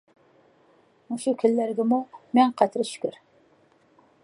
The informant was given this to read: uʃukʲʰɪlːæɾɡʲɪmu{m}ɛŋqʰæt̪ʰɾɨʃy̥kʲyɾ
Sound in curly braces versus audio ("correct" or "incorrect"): correct